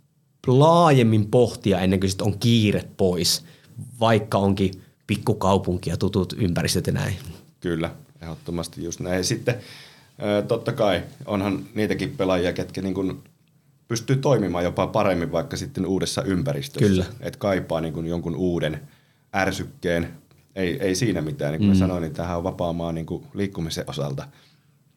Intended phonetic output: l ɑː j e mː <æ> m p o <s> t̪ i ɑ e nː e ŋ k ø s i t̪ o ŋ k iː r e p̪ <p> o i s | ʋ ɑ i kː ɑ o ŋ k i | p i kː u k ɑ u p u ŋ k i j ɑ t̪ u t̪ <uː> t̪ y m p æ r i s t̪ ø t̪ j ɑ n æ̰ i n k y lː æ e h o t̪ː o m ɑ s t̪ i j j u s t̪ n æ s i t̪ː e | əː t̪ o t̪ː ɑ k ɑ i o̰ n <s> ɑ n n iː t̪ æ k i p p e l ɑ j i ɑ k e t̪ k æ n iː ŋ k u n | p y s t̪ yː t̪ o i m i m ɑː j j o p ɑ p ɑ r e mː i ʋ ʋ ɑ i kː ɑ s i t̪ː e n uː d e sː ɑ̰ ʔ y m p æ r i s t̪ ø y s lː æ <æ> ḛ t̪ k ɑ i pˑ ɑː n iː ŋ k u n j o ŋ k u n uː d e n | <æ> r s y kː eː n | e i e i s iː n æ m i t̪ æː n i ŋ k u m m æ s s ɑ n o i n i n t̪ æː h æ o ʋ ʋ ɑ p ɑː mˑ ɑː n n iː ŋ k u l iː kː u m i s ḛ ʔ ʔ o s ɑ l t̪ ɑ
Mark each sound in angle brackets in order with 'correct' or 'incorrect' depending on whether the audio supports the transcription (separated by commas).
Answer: incorrect, incorrect, correct, incorrect, incorrect, correct, correct